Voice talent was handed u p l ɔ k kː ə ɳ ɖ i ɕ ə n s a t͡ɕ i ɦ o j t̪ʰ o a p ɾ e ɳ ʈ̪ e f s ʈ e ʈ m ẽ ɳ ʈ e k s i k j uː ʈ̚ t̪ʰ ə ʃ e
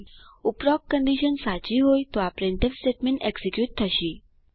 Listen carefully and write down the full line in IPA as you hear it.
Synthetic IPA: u p ɾ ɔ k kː ə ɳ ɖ i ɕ ə n s a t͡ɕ i ɦ o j t̪ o a p ɾ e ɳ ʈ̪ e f s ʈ e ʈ m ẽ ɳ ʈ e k s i k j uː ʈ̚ t̪ʰ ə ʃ i